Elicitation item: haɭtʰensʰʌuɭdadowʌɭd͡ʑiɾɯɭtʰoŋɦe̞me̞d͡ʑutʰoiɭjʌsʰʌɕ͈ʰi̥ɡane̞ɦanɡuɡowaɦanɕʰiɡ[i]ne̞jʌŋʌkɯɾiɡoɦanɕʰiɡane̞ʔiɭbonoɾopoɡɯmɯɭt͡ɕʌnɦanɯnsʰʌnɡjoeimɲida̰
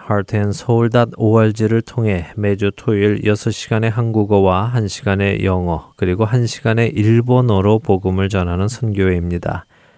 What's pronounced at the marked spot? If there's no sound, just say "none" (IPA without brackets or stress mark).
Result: a